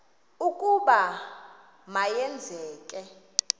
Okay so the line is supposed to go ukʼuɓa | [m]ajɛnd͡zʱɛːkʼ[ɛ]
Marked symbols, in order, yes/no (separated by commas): yes, yes